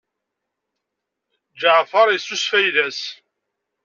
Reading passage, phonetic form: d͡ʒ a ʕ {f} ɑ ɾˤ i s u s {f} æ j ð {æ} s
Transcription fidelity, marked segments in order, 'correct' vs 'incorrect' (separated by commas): correct, correct, correct